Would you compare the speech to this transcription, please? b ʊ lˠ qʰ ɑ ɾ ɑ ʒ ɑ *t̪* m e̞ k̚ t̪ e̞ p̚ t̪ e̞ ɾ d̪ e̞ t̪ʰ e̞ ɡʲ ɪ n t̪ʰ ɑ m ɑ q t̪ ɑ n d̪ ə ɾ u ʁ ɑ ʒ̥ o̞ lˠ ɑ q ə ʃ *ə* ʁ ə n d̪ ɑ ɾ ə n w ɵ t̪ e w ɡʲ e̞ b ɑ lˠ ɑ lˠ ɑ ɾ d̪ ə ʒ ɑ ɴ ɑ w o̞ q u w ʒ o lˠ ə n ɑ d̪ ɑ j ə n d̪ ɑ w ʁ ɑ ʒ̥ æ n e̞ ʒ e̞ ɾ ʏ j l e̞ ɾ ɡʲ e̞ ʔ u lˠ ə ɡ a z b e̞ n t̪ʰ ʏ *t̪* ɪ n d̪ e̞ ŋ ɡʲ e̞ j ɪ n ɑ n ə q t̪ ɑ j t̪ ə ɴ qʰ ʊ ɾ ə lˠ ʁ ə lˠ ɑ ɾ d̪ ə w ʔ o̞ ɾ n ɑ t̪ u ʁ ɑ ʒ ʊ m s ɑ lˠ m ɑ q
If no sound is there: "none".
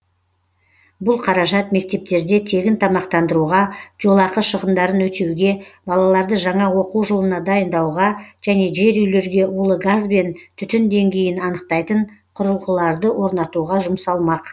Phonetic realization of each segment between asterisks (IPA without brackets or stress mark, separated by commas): t̪, ə, t̪